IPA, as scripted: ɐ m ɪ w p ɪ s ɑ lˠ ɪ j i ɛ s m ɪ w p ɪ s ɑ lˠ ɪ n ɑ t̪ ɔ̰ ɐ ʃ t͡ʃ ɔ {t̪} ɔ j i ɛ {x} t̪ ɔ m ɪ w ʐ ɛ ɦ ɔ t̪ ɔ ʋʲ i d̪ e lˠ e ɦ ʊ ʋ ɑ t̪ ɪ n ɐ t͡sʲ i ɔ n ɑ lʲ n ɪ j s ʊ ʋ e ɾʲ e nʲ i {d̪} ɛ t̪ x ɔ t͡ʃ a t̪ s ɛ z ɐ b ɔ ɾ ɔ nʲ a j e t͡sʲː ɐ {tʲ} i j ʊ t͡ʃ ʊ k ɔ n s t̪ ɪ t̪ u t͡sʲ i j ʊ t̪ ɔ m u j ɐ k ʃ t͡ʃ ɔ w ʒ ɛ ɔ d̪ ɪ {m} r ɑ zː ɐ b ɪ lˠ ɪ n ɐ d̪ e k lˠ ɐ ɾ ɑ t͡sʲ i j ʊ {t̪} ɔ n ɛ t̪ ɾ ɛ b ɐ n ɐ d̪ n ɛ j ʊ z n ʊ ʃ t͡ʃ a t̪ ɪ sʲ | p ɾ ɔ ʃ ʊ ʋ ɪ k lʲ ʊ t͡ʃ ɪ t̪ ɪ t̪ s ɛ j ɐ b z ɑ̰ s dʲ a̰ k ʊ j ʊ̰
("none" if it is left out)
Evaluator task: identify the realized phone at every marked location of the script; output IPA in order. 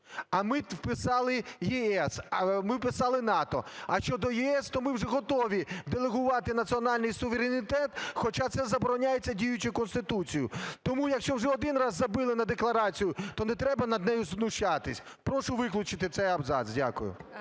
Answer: d̪, s, t̪, dʲ, n, t̪

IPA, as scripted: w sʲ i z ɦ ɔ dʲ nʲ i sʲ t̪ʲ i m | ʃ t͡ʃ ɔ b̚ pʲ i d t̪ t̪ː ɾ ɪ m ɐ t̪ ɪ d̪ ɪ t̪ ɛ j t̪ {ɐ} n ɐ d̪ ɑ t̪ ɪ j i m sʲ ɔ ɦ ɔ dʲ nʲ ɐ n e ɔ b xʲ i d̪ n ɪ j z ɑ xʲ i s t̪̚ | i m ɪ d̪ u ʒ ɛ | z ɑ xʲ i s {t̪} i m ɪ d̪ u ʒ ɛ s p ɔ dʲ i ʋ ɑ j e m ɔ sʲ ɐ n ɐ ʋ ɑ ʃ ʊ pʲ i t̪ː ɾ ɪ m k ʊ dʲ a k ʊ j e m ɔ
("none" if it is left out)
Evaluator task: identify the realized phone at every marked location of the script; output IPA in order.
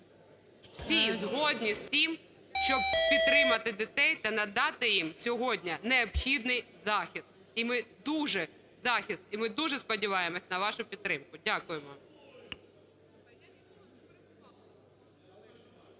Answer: ɐ, t̪

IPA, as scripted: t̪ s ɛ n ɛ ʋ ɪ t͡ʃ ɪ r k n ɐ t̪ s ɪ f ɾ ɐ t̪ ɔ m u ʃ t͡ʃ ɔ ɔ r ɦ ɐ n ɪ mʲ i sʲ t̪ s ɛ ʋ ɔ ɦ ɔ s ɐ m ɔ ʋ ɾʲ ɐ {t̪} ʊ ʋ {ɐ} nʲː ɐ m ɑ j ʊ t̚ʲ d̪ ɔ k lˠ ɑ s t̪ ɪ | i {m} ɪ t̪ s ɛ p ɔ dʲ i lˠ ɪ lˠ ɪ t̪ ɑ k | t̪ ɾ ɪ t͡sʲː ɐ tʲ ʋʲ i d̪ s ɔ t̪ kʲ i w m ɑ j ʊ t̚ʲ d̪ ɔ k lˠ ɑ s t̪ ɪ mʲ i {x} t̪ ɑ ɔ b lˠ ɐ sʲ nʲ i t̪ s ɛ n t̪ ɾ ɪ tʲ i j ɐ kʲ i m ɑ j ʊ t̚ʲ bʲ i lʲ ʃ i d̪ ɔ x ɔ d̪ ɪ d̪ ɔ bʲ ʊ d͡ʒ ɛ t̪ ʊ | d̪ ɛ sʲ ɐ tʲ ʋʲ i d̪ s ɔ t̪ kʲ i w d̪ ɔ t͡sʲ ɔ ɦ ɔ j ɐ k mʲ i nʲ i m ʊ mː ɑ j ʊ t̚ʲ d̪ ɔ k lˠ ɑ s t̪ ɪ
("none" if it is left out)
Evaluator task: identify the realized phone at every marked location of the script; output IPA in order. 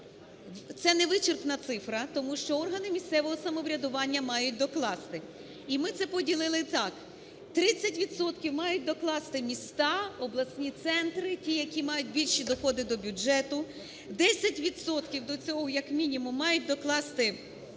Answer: d̪, ɑ, m, s

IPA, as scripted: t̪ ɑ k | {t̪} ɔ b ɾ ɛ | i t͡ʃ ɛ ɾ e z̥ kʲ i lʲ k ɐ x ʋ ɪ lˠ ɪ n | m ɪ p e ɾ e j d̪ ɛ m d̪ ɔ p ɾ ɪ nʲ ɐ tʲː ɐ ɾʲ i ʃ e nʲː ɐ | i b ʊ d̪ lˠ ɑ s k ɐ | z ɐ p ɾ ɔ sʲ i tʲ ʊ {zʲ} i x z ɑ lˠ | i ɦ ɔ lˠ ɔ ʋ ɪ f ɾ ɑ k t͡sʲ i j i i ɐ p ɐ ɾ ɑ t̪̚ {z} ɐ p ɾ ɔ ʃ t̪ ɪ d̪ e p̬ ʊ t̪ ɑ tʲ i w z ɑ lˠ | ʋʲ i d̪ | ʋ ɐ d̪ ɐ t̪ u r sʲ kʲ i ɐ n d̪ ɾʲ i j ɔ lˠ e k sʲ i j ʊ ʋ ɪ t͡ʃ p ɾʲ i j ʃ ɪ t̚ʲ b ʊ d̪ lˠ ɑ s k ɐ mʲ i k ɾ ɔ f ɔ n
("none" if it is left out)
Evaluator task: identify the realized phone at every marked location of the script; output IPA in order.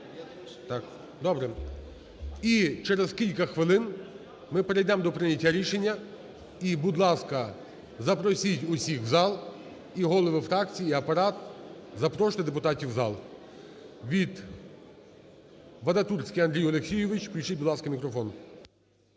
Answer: d̪, sʲ, z

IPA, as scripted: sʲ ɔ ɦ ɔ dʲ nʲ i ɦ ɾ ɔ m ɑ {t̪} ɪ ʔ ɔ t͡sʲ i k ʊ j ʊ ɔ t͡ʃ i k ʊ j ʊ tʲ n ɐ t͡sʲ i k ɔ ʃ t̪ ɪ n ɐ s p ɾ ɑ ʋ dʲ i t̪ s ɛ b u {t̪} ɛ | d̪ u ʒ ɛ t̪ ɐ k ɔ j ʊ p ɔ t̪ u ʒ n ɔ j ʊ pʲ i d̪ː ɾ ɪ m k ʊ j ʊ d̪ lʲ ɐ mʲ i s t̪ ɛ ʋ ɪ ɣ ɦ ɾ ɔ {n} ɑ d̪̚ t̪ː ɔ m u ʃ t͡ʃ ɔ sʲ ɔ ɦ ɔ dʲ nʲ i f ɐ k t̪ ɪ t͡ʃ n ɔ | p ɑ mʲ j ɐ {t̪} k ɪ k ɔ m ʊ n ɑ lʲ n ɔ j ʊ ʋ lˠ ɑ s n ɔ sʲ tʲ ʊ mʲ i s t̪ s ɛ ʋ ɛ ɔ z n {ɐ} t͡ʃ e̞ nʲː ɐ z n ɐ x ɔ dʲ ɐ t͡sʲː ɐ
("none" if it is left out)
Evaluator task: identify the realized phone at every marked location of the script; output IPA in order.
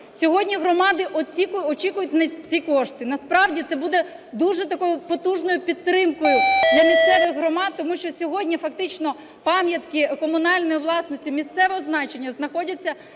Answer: d̪, d̪, m, t̪, ɑ

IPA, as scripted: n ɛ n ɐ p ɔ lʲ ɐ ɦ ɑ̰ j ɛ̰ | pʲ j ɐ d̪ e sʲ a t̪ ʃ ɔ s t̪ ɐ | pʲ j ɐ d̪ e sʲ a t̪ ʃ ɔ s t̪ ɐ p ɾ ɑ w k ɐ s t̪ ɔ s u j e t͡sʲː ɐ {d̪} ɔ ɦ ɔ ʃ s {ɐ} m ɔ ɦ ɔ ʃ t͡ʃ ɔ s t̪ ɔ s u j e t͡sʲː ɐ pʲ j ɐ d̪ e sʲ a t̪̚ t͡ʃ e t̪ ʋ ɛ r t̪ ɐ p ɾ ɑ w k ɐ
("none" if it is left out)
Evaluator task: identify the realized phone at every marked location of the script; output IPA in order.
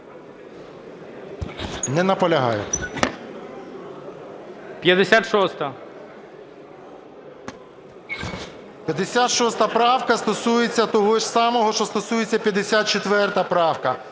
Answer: t̪, ɑ

